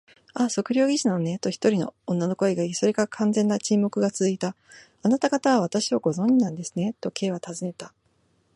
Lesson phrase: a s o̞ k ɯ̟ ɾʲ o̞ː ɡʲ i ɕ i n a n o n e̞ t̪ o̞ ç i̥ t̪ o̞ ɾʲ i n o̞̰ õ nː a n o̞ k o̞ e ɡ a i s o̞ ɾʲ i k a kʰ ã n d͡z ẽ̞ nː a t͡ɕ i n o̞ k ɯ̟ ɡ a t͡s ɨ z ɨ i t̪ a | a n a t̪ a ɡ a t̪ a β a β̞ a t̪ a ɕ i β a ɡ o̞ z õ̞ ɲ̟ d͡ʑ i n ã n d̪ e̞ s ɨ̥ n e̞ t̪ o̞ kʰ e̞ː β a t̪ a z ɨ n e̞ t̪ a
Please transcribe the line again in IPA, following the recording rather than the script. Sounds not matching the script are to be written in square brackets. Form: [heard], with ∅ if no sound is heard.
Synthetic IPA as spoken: a s o̞ k ɯ̟ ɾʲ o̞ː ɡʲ i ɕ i n a n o n e̞ t̪ o̞ ç i̥ t̪ o̞ ɾʲ i n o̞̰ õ nː a n o̞ k o̞ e ɡ a i s o̞ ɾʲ i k a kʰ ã n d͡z ẽ̞ nː a t͡ɕ i [m] o̞ k ɯ̟ ɡ a t͡s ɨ z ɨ i t̪ a | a n a t̪ a ɡ a t̪ a β a β̞ a t̪ a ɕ i β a ɡ o̞ z õ̞ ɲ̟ d͡ʑ i n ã n d̪ e̞ s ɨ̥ n e̞ t̪ o̞ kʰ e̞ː β a t̪ a z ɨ n e̞ t̪ a